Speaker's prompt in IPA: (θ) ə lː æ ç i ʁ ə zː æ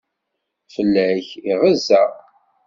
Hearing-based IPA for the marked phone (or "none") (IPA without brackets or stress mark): f